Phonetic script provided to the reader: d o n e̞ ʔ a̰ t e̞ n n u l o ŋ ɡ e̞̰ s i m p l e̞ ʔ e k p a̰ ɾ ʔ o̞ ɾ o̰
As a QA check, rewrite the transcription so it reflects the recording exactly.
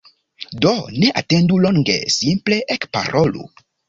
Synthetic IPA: d o n e̞ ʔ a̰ t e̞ n d u l o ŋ ɡ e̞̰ s i m p l e̞ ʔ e k p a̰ ɾ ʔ o̞ l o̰